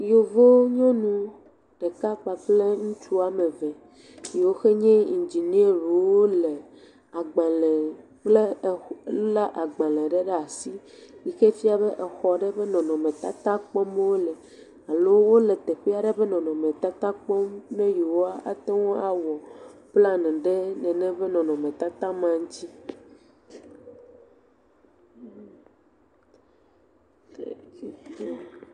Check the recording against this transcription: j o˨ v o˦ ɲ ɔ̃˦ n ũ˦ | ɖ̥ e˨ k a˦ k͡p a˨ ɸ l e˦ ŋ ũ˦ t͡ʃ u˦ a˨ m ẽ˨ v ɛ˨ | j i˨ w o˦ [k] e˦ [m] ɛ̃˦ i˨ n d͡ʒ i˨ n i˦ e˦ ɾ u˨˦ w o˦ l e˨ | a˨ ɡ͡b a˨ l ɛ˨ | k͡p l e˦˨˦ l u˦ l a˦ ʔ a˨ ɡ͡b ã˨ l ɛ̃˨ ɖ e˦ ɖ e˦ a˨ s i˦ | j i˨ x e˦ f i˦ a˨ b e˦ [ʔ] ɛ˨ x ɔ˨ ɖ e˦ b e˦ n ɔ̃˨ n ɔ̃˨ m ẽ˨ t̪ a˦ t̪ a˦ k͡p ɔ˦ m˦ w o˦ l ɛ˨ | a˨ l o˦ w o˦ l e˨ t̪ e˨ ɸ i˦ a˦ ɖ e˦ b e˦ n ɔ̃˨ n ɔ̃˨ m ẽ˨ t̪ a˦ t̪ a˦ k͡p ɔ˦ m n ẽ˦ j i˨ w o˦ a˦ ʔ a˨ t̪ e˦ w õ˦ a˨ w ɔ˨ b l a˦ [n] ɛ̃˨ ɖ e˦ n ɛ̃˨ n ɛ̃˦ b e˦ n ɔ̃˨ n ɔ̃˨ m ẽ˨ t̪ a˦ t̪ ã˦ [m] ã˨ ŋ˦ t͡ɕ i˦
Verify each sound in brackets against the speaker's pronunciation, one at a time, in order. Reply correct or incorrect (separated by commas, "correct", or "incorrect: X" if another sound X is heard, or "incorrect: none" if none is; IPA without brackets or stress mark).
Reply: incorrect: x, incorrect: ɲ, correct, correct, correct